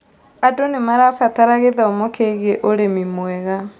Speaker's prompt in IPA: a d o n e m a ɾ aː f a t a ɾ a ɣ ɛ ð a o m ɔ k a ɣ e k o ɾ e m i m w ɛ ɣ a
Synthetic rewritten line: a d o n e m a ɾ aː f a t a ɾ a ɣ e ð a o m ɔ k e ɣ e ʔ o ɾ e m i m w ɛ ɣ a